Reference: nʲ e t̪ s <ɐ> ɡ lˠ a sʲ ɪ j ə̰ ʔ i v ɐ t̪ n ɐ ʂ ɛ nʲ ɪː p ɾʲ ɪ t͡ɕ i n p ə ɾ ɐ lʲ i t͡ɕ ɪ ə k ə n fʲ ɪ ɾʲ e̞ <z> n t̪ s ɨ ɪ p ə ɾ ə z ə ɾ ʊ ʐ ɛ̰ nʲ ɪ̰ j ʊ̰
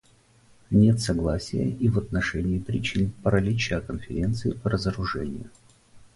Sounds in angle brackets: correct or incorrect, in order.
correct, incorrect

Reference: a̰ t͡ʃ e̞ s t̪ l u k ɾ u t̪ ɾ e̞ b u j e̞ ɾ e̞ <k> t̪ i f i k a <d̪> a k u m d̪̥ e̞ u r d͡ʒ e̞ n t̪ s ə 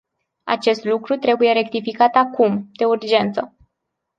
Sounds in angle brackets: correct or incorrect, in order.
correct, incorrect

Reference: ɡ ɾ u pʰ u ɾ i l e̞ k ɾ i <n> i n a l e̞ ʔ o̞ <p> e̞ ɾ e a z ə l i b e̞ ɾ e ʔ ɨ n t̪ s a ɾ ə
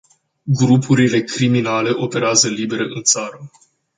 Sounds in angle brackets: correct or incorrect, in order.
incorrect, correct

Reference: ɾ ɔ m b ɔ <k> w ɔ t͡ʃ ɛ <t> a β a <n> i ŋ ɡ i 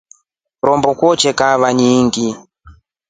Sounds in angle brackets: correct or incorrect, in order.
correct, incorrect, incorrect

